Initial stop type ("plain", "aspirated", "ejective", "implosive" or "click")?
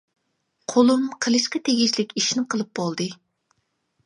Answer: aspirated